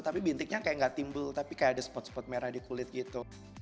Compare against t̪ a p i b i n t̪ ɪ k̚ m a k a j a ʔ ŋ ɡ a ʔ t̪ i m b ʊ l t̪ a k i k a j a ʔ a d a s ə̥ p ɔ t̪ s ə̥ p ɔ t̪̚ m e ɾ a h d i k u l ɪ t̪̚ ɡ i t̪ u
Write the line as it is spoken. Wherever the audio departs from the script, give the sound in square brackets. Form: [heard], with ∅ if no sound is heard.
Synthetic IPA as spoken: t̪ a p i b i n t̪ ɪ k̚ [ɲ] a k a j a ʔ ŋ ɡ a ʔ t̪ i m b ʊ l t̪ a [p] i k a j a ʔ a d a s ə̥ p ɔ t̪ s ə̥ p ɔ t̪̚ m e ɾ a h d i k u l ɪ t̪̚ ɡ i t̪ u

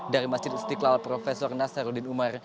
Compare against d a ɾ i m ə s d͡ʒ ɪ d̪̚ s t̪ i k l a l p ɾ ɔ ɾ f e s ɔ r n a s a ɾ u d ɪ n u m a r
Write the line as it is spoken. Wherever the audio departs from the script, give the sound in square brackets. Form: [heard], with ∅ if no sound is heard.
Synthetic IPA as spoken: d a ɾ i m [a] s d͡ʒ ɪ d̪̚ s t̪ i k l a l p ɾ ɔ [∅] f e s ɔ r n a s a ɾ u d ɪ n u m a r

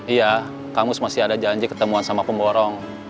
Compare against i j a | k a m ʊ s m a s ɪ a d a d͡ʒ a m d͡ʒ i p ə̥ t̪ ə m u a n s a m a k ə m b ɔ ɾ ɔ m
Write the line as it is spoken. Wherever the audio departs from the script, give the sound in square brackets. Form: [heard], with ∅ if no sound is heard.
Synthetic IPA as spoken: i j a | k a m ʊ s m a s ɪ a d a d͡ʒ a [ɲ] d͡ʒ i [k] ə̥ t̪ ə m u a n s a m a [p] ə m b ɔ ɾ ɔ [ŋ]

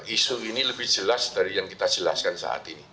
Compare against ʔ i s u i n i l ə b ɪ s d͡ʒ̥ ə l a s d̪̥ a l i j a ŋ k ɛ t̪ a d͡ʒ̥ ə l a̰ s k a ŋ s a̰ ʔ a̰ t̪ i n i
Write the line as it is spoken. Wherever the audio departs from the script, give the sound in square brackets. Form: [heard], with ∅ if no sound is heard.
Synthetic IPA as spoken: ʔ i s u i n i l ə b ɪ [h] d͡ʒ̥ ə l a s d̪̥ a [ɾ] i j a ŋ k [i] t̪ a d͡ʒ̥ ə l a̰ s k a [n] s a̰ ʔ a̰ t̪ i n i

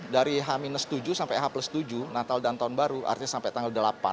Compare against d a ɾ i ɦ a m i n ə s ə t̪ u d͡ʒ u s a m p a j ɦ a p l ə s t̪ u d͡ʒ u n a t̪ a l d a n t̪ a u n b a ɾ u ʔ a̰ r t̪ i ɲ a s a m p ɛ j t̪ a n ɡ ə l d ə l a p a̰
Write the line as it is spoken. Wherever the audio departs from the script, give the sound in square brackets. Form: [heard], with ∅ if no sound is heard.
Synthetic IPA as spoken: d a ɾ i ɦ a m i n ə s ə t̪ u d͡ʒ u s a m p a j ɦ a p l ə s t̪ u d͡ʒ u n a t̪ a l d a n t̪ a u n b a ɾ u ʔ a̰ r t̪ i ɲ a s a m p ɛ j t̪ a [ŋ] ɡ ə l d ə l a p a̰

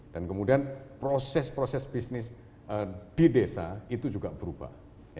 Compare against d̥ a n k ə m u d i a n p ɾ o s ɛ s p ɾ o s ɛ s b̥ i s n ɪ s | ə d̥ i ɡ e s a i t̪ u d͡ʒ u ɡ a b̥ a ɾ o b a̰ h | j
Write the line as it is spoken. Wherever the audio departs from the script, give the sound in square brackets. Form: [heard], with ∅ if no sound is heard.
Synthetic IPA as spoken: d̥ a n k ə m u d i a n p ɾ o s ɛ s p ɾ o s ɛ s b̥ i s n ɪ s | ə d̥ i [d] e s a i t̪ u d͡ʒ u ɡ a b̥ [ə] ɾ [u] b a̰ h | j

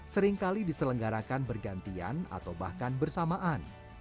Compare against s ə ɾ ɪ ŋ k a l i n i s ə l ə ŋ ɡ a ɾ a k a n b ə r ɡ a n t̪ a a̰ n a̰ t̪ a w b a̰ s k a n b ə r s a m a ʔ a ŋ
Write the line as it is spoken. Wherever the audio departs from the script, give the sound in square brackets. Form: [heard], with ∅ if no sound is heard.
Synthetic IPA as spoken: s ə ɾ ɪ ŋ k a l i [d] i s ə l ə ŋ ɡ a ɾ a k a n b ə r ɡ a n t̪ [i] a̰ n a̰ t̪ a w b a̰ [h] k a n b ə r s a m a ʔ a [n]

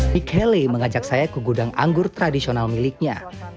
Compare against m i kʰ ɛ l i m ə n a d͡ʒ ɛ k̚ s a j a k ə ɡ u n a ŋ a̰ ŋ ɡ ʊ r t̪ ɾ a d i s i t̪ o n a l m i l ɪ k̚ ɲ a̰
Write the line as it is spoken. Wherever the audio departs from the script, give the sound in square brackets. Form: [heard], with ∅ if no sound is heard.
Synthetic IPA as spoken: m i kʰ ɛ l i m ə [ŋ] a d͡ʒ [a] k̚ s a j a k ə ɡ u [d] a ŋ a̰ ŋ ɡ ʊ r t̪ ɾ a d i s i [∅] o n a l m i l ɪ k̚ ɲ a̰

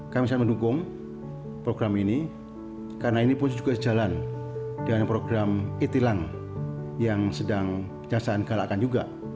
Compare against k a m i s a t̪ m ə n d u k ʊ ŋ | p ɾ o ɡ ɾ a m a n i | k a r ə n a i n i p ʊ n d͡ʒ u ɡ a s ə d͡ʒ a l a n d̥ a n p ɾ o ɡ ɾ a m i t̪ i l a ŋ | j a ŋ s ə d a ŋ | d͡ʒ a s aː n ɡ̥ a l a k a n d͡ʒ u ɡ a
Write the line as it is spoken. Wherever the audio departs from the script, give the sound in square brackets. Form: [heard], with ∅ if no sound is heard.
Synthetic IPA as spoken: k a m i s a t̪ m ə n d u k ʊ ŋ | p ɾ o ɡ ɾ a m [i] n i | k a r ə n a i n i p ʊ n d͡ʒ u ɡ a s ə d͡ʒ a l a n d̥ a n p ɾ o ɡ ɾ a m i t̪ i l a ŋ | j a ŋ s ə d a ŋ | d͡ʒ a s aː n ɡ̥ a l a k a n d͡ʒ u ɡ a

